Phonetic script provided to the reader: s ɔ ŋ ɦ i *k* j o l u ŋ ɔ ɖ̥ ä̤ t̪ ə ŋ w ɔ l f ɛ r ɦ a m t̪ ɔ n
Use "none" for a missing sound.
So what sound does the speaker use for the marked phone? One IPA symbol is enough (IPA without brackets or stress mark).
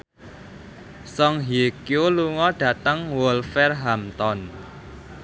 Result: k